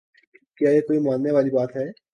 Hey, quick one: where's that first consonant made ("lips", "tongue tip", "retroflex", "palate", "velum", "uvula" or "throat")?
velum